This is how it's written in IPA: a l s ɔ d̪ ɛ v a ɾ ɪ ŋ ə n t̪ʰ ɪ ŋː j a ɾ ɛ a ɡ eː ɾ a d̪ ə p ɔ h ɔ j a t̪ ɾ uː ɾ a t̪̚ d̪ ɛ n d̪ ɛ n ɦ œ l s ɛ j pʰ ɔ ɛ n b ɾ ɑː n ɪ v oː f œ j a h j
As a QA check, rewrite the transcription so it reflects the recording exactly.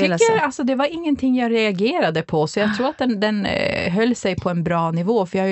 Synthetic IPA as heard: a l s ɔ d̪ ɛ v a ɾ ɪ ŋː ə n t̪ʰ ɪ ŋː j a ɾ ɛ a ɡ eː ɾ a d̪ ə pʰ ɔ s ɔ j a t̪ʰ ɾ uː ɾ a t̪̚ d̪ ɛ n d̪ ɛ n ɦ œ lː s ɛ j pʰ ɔ ɛ n b ɾ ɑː n ɪ v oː f œ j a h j